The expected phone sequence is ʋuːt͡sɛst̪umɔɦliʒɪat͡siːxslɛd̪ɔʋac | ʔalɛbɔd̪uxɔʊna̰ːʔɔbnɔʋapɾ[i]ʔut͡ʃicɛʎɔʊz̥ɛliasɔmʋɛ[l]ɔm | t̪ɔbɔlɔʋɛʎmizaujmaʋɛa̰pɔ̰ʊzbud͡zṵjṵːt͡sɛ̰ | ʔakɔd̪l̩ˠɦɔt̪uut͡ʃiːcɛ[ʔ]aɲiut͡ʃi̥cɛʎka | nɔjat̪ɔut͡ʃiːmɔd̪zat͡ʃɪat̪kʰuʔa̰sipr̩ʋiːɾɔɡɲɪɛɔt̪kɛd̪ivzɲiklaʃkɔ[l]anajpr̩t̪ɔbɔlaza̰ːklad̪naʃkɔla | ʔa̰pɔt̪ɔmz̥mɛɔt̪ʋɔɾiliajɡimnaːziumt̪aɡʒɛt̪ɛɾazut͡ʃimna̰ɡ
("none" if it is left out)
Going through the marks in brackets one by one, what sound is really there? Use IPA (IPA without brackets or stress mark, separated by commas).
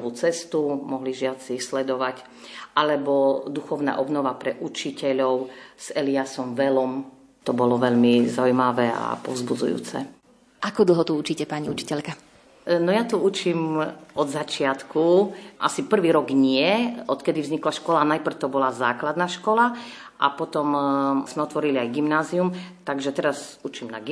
ɛ, l, p, l